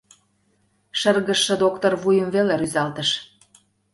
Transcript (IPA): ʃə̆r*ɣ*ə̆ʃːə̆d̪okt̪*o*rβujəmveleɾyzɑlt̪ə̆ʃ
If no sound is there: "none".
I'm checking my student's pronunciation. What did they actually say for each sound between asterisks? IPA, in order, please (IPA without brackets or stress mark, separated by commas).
ɣ, o